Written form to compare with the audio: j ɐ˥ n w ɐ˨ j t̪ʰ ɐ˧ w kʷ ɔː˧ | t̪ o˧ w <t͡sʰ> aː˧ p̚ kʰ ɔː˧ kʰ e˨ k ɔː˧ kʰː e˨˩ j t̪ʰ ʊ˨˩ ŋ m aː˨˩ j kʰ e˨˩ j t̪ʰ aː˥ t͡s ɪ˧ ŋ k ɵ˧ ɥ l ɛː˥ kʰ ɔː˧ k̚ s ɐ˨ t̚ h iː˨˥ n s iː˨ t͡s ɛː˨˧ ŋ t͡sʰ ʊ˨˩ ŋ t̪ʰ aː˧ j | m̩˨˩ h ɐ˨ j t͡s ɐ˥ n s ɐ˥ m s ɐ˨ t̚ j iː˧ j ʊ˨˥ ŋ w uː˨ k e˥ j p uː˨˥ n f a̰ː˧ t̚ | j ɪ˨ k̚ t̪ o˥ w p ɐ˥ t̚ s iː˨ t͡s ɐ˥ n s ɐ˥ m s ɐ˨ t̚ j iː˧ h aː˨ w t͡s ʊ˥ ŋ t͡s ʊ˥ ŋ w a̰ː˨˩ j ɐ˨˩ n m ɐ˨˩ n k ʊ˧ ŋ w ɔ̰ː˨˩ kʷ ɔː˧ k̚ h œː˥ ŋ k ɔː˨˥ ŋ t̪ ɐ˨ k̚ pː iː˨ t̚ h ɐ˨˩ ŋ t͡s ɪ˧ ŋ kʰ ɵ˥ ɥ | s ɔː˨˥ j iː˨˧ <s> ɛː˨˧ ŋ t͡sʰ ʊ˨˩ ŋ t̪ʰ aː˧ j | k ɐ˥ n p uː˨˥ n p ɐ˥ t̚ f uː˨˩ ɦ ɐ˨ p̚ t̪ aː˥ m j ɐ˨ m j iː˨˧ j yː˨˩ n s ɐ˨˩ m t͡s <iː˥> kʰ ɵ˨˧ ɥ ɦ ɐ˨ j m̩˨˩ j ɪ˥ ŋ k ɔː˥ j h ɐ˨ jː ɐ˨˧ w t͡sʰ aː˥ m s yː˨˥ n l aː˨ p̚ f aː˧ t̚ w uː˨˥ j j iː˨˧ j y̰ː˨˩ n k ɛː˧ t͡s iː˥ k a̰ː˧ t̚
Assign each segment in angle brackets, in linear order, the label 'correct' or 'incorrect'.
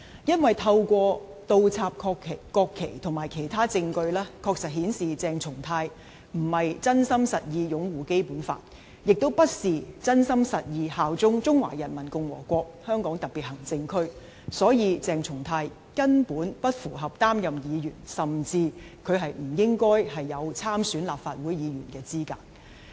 correct, incorrect, incorrect

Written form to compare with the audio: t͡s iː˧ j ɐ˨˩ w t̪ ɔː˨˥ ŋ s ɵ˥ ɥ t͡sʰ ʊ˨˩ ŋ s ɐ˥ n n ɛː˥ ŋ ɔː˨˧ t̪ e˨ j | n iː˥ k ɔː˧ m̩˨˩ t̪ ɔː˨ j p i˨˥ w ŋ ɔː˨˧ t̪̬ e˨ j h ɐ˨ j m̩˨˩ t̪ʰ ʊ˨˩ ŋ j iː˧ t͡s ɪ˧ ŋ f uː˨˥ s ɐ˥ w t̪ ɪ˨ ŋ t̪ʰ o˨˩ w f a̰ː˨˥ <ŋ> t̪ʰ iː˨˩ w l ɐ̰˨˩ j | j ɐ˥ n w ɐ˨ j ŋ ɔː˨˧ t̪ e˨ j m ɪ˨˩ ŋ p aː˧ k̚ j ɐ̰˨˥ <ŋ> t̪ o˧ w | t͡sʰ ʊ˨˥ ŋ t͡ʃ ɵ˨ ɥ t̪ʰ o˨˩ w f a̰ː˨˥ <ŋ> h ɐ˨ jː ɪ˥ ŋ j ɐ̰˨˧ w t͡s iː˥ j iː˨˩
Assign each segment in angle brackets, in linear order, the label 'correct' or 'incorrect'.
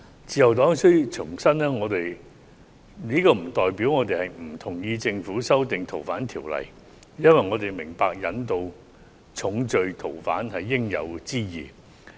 incorrect, incorrect, incorrect

